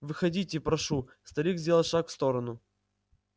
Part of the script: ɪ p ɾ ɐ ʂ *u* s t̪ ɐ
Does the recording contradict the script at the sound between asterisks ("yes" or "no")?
no